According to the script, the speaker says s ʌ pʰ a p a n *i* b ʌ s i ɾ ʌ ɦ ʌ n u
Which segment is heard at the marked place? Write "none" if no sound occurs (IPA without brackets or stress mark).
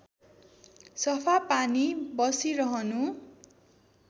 i